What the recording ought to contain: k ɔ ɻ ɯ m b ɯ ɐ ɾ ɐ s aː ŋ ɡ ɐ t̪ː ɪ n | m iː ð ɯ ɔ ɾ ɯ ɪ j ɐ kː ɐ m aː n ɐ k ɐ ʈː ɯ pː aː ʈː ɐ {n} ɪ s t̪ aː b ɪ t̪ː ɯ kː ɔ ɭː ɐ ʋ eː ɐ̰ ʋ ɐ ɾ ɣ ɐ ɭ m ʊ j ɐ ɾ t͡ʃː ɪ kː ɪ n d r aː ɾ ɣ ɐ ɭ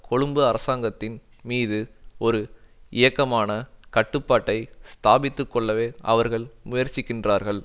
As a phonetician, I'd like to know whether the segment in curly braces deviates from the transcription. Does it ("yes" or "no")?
yes